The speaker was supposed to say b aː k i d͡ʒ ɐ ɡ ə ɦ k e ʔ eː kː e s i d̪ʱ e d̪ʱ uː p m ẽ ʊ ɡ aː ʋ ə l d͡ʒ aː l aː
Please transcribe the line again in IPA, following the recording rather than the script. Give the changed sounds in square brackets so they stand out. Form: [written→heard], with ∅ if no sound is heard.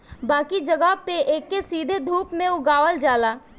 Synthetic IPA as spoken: b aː k i d͡ʒ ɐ ɡ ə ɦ [k→p] e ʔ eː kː e s [i→iː] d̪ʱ e d̪ʱ uː p m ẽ ʊ ɡ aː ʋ ə l d͡ʒ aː l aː